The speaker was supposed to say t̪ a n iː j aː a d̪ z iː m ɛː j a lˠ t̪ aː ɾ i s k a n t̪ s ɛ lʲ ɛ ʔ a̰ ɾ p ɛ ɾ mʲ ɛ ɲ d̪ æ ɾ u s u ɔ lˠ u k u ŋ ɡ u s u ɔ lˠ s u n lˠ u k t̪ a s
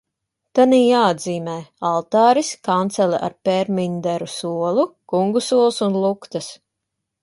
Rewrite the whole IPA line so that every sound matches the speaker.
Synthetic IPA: t̪ a n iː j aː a d̪ z iː m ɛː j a lˠ t̪ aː ɾ i s k a n t̪ s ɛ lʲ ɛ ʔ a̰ ɾ p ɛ ɾ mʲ i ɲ d̪ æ ɾ u s u ɔ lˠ u k u ŋ ɡ u s u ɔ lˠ s u n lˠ u k t̪ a s